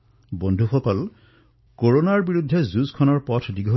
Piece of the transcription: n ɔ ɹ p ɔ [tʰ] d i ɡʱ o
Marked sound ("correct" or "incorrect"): correct